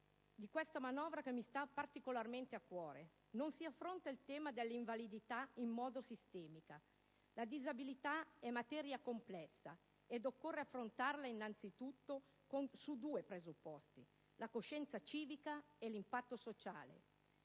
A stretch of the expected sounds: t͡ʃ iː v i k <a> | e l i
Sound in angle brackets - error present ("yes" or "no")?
no